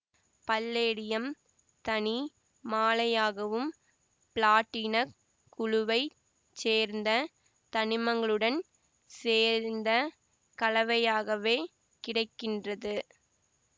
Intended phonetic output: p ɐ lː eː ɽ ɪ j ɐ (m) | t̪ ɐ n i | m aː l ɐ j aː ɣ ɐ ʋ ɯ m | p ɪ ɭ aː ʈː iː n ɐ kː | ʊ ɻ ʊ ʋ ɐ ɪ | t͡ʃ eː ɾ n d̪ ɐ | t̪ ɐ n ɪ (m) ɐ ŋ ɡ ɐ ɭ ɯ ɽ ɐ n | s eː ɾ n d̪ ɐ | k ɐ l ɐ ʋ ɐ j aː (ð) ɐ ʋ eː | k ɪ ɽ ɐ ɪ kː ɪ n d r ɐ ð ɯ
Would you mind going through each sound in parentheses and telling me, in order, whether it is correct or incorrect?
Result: correct, correct, incorrect: ɣ

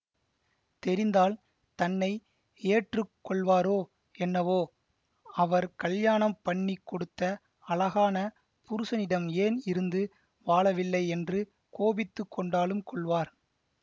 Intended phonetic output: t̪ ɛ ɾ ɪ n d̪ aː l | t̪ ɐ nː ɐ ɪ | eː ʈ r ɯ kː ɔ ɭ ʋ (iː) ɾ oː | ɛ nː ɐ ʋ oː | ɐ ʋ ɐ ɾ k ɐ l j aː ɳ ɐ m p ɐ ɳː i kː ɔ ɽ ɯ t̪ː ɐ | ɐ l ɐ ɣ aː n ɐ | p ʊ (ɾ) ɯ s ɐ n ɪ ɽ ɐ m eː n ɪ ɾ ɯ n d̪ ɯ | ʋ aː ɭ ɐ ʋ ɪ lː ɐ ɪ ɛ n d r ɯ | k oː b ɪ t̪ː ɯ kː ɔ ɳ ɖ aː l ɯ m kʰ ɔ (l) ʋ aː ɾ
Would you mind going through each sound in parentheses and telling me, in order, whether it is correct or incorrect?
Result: incorrect: aː, correct, incorrect: ɭ

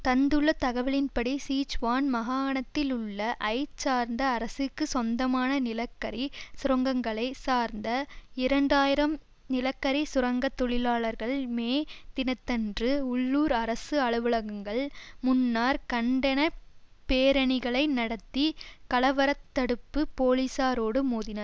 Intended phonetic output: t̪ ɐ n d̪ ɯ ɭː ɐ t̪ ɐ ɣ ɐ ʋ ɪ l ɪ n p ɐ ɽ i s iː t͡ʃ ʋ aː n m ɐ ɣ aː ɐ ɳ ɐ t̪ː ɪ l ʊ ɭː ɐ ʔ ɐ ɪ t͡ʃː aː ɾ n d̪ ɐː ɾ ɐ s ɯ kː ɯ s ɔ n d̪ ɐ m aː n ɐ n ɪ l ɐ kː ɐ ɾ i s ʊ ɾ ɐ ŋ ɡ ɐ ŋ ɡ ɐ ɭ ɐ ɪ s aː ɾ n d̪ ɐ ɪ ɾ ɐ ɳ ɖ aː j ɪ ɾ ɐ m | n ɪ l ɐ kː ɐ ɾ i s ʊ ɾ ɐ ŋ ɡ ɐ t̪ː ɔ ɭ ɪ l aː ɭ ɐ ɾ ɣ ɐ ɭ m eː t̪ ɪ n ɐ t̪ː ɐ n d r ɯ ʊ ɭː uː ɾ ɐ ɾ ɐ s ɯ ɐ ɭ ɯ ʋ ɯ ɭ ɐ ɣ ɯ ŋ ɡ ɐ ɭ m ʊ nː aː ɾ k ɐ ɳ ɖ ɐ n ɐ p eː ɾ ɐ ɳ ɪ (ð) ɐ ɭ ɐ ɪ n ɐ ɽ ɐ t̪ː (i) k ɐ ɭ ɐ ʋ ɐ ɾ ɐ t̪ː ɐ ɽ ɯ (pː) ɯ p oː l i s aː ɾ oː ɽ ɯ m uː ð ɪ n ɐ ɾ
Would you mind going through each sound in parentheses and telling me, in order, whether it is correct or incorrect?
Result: incorrect: ɣ, correct, correct

